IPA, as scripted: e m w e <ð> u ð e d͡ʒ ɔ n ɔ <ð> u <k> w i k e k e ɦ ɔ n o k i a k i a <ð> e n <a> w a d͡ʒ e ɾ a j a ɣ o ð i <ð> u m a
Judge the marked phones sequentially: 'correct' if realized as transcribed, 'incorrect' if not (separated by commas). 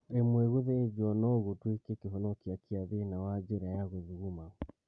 incorrect, incorrect, incorrect, correct, correct, incorrect